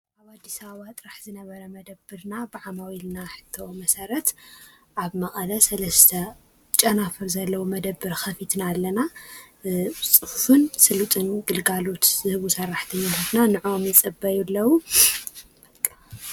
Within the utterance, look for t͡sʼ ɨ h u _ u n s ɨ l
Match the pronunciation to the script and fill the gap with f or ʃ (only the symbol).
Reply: f